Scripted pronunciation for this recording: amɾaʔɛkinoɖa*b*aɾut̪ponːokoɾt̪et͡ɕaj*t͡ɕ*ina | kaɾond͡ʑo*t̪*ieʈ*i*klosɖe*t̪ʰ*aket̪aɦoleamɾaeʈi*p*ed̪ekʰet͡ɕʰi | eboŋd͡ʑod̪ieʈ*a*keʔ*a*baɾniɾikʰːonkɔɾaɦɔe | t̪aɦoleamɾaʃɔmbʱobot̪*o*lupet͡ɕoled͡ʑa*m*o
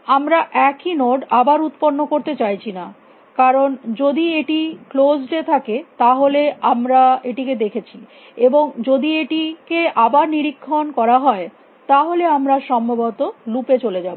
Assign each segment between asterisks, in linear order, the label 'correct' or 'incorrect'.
correct, incorrect, incorrect, correct, correct, incorrect, incorrect, correct, correct, incorrect

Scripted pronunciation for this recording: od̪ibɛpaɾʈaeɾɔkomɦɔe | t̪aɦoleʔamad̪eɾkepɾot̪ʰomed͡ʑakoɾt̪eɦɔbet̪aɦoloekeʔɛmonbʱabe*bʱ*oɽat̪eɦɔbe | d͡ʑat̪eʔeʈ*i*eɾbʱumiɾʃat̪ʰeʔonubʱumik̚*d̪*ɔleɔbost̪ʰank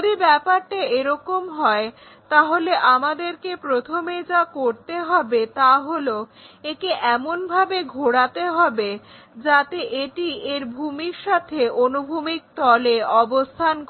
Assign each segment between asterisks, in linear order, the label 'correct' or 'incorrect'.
incorrect, correct, incorrect

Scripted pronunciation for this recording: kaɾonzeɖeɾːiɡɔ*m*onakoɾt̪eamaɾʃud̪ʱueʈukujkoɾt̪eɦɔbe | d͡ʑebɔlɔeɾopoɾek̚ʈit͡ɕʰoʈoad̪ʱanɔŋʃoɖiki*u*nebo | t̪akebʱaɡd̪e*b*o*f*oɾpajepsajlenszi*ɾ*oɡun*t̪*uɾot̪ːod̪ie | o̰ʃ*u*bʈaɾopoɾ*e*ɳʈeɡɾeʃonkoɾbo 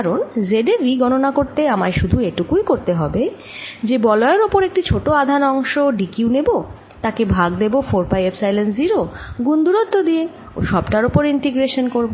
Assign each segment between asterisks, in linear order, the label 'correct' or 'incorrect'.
incorrect, correct, correct, correct, correct, incorrect, incorrect, incorrect

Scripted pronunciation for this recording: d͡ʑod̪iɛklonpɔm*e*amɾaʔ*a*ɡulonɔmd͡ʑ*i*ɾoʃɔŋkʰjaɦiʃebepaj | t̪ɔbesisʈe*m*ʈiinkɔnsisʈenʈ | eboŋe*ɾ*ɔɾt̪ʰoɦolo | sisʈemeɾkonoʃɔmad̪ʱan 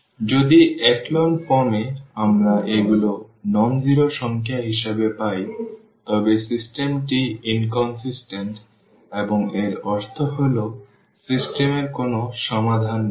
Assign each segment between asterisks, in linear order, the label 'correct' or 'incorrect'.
correct, incorrect, correct, correct, correct

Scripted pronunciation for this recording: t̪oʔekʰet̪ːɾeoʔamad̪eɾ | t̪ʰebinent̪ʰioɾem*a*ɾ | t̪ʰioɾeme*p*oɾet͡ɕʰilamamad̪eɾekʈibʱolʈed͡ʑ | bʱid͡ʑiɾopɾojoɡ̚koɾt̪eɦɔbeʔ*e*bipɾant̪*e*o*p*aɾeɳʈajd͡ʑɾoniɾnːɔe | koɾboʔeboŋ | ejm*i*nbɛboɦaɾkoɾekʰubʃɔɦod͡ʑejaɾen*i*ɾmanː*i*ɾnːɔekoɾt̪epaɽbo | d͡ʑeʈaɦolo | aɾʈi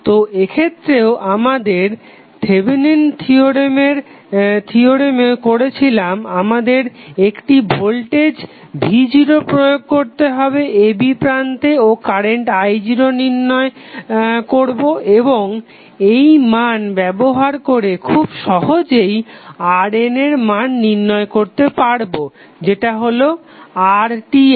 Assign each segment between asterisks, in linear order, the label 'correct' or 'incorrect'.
incorrect, incorrect, correct, correct, incorrect, incorrect, incorrect, correct

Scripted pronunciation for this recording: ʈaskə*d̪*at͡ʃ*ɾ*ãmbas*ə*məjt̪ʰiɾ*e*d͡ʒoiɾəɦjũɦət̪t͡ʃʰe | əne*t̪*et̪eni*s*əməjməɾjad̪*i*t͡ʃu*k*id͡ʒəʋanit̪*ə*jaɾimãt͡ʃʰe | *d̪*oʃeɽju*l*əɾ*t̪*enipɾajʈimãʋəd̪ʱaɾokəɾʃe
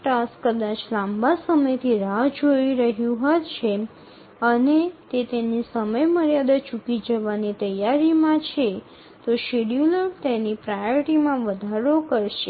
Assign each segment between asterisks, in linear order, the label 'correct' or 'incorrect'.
correct, incorrect, correct, incorrect, correct, correct, incorrect, correct, correct, incorrect, correct, correct

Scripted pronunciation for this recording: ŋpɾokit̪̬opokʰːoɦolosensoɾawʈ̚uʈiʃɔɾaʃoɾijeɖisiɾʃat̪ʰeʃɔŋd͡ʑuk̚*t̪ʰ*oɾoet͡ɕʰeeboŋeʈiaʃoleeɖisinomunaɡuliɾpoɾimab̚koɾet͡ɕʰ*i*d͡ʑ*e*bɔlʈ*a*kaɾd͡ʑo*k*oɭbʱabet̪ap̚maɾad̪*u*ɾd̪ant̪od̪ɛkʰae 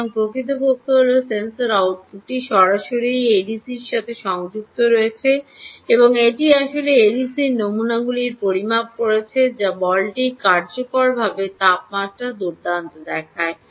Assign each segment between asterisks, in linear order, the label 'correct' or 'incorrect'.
incorrect, incorrect, incorrect, incorrect, correct, correct

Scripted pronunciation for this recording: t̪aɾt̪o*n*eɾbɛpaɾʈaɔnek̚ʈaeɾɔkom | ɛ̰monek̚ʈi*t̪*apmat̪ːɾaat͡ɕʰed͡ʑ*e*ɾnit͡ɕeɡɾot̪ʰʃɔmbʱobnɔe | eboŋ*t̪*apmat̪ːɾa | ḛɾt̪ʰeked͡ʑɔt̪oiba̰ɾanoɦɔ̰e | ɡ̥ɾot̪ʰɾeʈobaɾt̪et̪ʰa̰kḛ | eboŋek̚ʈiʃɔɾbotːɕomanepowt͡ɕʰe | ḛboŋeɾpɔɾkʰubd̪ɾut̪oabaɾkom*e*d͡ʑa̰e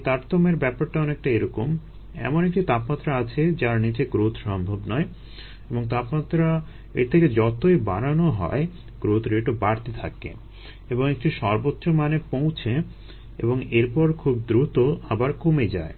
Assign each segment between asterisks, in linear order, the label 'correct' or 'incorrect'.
incorrect, correct, incorrect, correct, correct

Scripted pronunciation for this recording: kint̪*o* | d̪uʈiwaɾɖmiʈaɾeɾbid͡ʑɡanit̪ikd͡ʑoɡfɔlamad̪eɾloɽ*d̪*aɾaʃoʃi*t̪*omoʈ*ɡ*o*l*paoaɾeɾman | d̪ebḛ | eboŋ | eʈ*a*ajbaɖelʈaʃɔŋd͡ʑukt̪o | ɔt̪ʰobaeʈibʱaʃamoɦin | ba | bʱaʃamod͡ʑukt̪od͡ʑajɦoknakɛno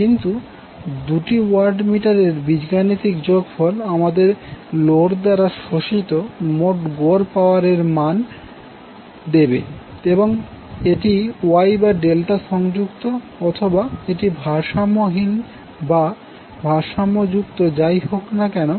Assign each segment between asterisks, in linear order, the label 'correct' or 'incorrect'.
incorrect, correct, correct, correct, incorrect, incorrect

